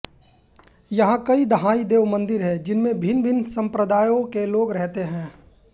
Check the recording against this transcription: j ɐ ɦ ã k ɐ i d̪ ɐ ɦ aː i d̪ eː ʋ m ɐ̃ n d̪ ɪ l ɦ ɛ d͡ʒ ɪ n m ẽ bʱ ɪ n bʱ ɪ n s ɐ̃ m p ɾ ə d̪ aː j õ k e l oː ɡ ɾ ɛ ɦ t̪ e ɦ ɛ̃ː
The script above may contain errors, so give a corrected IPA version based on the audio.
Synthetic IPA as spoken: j ɐ ɦ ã k ɐ i d̪ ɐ ɦ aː i d̪ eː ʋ m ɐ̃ n d̪ ɪ ɾ ɦ ɛ d͡ʒ ɪ n m ẽ bʱ ɪ n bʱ ɪ n s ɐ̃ m p ɾ ə d̪ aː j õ k e l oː ɡ ɾ ɛ ɦ t̪ e ɦ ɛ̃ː

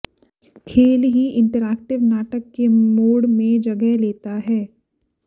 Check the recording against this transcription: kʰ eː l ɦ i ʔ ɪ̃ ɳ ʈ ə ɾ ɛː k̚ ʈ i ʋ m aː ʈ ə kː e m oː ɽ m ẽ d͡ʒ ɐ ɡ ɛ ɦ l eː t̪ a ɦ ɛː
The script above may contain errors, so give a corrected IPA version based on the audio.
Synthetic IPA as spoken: kʰ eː l ɦ i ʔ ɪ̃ ɳ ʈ ə ɾ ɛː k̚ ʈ ɪ ʋ n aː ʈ ə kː e m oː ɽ m ẽ d͡ʒ ɐ ɡ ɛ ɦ l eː t̪ a ɦ ɛː

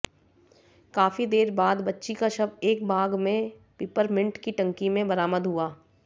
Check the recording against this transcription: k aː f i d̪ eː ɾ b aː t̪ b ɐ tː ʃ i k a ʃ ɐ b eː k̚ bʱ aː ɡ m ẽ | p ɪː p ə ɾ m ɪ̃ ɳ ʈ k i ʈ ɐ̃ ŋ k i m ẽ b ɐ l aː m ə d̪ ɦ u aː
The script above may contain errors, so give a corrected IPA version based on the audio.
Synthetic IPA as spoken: k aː f i d̪ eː ɾ b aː d̪ b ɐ tː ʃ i k a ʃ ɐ b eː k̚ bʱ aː ɡ m ẽ | p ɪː p ə ɾ m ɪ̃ ɳ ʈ k i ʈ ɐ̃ ŋ k i m ẽ b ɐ ɾ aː m ə d̪ ɦ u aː

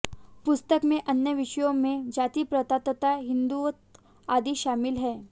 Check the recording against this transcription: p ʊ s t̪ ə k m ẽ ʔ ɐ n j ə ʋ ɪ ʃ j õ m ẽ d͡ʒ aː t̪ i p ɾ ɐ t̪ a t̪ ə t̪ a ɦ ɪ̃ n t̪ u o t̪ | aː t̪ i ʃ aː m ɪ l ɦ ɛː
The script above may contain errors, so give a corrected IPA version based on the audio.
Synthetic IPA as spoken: p ʊ s t̪ ə k m ẽ ʔ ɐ n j ə ʋ ɪ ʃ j õ m ẽ d͡ʒ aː t̪ i p ɾ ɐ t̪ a t̪ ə t̪ a ɦ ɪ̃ n d̪ u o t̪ | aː d̪ i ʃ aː m ɪ l ɦ ɛː

